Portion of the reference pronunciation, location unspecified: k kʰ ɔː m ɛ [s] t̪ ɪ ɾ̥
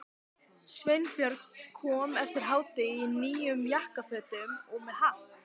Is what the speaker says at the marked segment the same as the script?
no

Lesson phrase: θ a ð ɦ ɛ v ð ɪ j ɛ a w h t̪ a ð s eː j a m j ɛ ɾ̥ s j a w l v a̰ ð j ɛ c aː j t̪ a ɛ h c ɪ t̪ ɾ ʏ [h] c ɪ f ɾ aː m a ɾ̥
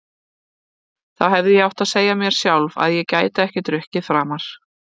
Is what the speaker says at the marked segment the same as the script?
yes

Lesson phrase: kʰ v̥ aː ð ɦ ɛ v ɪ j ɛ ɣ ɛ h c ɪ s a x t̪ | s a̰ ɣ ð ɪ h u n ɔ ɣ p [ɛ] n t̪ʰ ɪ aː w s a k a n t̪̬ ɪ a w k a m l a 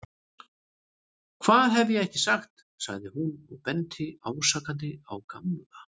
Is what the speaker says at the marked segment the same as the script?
yes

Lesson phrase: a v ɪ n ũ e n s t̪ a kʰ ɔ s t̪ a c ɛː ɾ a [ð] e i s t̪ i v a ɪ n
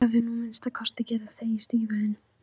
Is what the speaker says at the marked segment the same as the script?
no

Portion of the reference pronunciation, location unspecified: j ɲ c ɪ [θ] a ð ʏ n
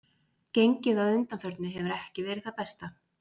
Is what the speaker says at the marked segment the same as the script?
no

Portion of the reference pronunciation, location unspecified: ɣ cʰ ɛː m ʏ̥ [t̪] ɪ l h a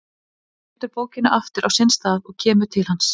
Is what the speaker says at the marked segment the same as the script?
no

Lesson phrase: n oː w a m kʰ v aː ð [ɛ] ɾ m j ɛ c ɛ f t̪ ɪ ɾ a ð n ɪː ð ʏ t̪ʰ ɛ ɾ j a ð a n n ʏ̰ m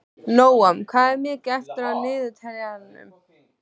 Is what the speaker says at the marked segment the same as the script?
yes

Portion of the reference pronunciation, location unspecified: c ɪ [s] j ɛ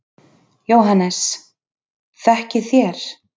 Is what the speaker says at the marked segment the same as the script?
no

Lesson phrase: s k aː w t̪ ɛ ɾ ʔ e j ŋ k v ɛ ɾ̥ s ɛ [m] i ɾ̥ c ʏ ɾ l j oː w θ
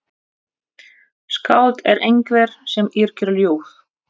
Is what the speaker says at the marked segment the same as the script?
yes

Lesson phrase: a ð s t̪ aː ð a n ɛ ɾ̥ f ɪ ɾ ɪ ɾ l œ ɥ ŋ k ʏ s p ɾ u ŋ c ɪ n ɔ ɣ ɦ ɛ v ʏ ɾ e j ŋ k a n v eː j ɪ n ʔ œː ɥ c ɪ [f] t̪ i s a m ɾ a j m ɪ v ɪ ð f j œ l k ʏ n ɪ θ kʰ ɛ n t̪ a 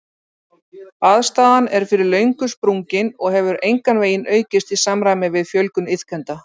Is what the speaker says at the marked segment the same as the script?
no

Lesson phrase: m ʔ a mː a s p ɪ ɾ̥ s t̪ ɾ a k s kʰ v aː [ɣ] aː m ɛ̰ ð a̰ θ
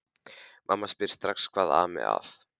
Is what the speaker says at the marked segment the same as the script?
no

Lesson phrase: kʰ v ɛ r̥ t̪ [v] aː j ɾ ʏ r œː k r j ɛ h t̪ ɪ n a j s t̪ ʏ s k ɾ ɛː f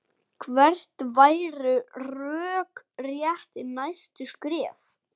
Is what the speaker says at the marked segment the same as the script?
yes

